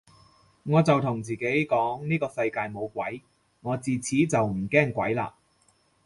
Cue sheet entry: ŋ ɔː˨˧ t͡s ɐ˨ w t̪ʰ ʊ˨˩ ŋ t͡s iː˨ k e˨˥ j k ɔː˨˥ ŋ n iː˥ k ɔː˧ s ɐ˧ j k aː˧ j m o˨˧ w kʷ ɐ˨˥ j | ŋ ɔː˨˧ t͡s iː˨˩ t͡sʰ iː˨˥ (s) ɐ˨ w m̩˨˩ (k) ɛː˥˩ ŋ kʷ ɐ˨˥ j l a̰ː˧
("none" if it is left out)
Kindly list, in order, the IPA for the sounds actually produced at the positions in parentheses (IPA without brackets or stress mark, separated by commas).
t͡s, k